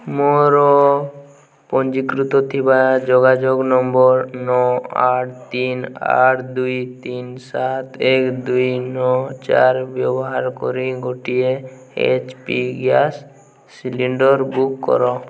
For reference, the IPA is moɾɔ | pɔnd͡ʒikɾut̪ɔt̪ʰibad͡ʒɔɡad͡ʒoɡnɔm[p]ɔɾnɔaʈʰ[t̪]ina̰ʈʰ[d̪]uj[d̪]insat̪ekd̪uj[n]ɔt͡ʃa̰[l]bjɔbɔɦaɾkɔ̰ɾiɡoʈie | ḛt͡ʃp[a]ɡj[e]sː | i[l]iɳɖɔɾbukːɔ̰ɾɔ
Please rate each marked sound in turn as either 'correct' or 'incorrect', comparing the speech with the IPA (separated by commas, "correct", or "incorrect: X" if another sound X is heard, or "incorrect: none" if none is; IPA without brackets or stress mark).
incorrect: b, correct, correct, incorrect: t̪, correct, incorrect: ɾ, incorrect: i, incorrect: a, correct